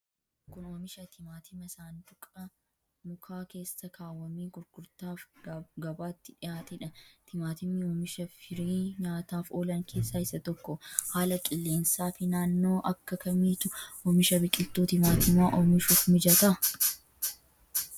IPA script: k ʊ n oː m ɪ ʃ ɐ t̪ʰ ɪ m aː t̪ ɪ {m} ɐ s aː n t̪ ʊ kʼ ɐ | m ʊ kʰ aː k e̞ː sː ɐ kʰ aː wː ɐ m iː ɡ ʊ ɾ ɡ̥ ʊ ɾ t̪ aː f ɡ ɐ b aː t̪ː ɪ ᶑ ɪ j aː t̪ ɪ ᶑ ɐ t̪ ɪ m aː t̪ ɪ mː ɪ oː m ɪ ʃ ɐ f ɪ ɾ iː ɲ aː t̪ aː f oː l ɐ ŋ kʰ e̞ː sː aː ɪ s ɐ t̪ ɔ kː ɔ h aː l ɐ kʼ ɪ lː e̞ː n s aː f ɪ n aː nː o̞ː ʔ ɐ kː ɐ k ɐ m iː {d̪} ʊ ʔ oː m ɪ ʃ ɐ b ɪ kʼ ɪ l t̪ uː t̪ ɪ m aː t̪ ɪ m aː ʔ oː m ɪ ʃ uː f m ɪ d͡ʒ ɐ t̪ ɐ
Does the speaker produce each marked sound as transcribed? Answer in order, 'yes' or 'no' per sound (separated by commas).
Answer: yes, no